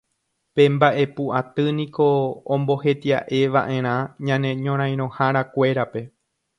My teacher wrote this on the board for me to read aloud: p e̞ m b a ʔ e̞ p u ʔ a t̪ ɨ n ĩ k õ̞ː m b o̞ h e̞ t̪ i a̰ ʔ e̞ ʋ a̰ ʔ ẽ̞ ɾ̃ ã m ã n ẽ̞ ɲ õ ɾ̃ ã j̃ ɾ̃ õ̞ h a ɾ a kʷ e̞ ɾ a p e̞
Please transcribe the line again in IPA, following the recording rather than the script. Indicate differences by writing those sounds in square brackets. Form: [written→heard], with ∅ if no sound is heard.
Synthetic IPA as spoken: p e̞ m b a ʔ e̞ p u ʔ a t̪ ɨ n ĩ k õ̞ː m b o̞ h e̞ t̪ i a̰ ʔ e̞ ʋ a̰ ʔ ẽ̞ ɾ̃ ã [m→ɲ] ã n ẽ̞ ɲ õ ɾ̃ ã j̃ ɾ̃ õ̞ h a ɾ a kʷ e̞ ɾ a p e̞